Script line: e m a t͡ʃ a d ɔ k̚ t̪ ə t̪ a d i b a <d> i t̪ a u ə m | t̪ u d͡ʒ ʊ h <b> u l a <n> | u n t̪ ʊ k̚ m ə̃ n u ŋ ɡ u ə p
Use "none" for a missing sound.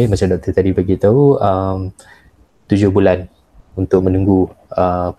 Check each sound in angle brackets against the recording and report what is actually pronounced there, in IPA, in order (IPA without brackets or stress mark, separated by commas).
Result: ɡ, b, n